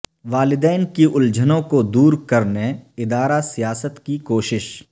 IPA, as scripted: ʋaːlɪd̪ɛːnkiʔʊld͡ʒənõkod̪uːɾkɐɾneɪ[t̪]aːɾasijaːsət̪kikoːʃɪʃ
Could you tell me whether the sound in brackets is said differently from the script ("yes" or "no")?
yes